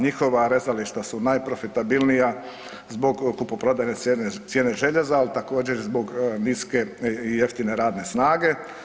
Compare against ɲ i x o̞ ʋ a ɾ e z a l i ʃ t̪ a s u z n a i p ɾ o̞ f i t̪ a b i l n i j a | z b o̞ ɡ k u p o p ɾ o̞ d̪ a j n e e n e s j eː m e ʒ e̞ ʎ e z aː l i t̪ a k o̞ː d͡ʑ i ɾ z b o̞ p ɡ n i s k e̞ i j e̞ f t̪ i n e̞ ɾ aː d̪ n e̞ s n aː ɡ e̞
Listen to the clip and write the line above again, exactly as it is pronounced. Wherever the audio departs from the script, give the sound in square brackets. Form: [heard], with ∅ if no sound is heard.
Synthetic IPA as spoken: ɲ i x o̞ ʋ a ɾ e z a l i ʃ t̪ a s u [∅] n a [j] p ɾ o̞ f i t̪ a b i l n i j a | z b o̞ ɡ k u p o p ɾ o̞ d̪ a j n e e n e s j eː [n] e ʒ e̞ ʎ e z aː l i t̪ a k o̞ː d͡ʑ [e] ɾ z b o̞ [∅] ɡ n i s k e̞ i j e̞ f t̪ i n e̞ ɾ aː d̪ n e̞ s n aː ɡ e̞